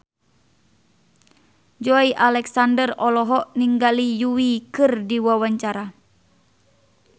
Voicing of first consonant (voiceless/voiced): voiced